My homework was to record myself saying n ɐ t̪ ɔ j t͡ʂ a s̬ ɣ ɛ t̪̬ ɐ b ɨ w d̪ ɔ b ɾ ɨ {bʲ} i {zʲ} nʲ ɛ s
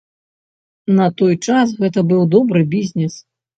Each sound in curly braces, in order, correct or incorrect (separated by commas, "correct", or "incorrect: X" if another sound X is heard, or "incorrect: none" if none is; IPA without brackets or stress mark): correct, correct